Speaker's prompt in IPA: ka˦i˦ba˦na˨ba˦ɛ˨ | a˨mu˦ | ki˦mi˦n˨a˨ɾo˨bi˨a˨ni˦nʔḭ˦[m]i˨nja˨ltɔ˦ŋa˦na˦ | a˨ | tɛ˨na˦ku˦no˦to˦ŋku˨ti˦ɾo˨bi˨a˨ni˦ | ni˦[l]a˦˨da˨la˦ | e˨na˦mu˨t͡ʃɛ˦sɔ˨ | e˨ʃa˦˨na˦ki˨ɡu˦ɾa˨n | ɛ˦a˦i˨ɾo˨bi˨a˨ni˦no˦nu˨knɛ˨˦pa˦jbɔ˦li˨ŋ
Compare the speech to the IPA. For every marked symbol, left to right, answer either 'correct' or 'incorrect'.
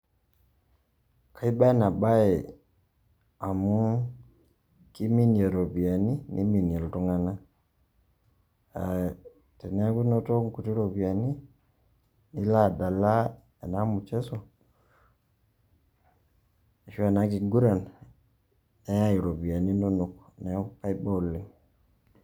correct, correct

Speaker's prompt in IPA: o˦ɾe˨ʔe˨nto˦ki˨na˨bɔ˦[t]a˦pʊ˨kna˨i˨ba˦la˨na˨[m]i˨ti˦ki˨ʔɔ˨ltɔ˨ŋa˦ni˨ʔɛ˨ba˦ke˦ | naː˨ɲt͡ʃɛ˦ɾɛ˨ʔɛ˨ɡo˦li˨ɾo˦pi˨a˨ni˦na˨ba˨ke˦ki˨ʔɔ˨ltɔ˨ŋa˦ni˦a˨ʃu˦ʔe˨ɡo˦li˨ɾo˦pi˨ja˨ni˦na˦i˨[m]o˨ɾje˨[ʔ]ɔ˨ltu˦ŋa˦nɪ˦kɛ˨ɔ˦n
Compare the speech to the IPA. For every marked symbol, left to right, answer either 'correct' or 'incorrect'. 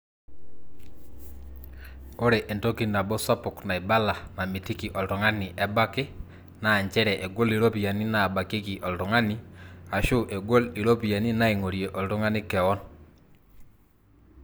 incorrect, correct, incorrect, correct

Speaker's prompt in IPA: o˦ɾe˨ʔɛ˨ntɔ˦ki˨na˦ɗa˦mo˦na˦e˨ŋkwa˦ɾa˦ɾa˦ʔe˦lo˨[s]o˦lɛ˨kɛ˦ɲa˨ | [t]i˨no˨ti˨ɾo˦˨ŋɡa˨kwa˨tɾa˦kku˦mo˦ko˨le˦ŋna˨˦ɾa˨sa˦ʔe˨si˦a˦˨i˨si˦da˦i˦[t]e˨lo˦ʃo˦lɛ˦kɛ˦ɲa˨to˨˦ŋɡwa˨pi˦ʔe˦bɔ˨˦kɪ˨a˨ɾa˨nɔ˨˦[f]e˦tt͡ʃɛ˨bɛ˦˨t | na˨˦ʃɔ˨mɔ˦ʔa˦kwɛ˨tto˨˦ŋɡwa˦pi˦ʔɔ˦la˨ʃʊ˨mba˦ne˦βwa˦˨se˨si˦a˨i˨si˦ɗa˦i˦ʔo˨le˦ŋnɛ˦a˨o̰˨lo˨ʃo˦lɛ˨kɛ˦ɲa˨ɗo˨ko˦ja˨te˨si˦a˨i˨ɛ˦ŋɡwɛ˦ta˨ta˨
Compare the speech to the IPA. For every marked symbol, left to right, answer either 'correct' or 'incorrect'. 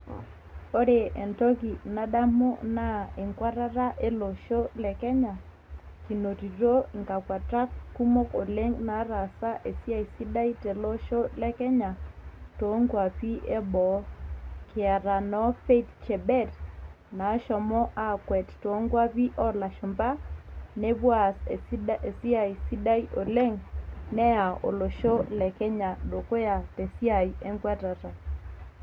incorrect, incorrect, correct, correct

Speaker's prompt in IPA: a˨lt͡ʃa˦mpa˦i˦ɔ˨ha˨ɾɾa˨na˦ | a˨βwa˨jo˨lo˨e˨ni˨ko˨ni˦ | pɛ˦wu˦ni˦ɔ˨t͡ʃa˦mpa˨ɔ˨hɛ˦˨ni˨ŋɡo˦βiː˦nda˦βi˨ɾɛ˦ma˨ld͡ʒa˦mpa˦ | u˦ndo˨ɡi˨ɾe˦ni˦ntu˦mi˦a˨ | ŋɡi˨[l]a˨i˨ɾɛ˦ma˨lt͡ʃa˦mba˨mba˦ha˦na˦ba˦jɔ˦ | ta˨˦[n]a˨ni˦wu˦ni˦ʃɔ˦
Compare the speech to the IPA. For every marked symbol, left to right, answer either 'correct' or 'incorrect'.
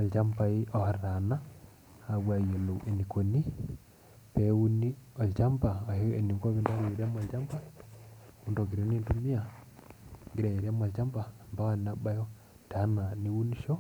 incorrect, correct

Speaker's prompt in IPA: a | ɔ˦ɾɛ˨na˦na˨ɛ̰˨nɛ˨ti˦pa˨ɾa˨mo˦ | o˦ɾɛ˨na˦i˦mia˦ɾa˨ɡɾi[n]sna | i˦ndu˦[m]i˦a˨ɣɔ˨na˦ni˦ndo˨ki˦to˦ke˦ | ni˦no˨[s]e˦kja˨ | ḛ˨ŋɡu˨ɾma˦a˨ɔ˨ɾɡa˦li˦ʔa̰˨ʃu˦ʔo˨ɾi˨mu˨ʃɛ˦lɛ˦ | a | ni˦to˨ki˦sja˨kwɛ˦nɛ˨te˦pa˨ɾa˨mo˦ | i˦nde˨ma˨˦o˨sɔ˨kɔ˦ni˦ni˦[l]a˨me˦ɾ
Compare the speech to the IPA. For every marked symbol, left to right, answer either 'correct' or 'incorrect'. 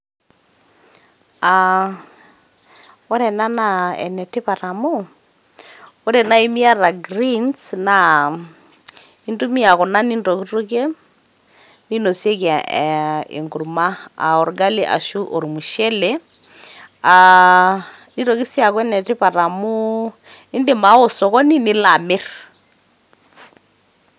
correct, correct, correct, correct

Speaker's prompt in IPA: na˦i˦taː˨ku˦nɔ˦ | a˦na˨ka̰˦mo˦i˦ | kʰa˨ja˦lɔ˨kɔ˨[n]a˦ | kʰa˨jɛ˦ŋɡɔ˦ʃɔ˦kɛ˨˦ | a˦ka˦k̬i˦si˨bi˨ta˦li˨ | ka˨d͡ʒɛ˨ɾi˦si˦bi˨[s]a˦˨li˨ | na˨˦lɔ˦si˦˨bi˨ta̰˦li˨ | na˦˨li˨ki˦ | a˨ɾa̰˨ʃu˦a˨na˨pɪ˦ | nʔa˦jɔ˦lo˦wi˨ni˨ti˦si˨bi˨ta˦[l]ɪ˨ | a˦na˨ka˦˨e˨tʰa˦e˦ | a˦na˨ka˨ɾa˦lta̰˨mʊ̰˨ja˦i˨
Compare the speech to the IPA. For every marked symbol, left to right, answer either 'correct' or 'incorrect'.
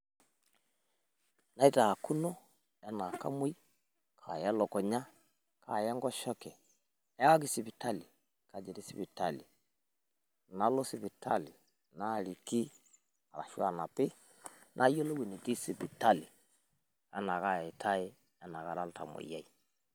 incorrect, incorrect, correct

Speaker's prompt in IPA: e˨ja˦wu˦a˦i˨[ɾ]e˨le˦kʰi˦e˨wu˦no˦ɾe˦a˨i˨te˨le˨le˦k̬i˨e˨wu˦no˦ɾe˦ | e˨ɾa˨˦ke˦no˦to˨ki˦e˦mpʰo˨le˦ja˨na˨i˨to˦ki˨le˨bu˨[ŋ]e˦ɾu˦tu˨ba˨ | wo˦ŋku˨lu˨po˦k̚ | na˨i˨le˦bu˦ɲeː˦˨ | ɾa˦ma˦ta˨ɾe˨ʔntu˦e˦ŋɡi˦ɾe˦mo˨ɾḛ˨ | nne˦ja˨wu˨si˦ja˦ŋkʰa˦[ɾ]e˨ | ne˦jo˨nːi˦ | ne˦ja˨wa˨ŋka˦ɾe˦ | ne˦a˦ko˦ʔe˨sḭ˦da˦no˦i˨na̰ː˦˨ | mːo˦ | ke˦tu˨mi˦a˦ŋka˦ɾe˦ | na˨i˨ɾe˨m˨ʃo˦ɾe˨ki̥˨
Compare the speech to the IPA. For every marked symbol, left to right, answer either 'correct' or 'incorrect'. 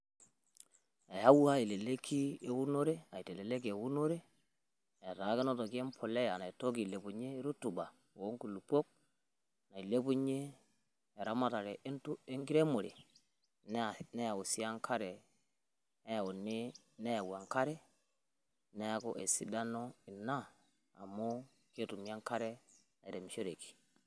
incorrect, incorrect, correct

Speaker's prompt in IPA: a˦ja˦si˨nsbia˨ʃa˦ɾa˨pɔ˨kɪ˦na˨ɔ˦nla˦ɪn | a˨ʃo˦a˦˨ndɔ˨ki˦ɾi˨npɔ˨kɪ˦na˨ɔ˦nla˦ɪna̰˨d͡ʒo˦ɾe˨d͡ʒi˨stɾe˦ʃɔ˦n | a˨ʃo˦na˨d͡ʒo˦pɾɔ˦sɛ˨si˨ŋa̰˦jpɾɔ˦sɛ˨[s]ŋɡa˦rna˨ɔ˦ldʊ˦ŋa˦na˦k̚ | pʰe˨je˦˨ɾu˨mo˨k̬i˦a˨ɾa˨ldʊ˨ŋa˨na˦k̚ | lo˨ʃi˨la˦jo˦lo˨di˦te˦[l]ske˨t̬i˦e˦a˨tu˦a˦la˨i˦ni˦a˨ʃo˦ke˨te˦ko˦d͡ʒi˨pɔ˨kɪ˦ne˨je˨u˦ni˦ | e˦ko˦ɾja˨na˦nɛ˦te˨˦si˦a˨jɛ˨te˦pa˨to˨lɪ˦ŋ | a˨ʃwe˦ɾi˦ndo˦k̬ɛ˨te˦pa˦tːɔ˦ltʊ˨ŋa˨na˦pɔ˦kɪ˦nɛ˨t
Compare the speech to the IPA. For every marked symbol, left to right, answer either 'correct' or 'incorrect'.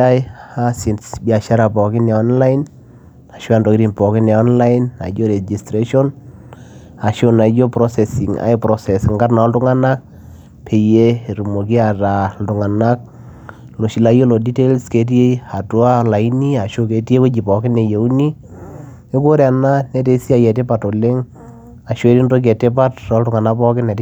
correct, correct

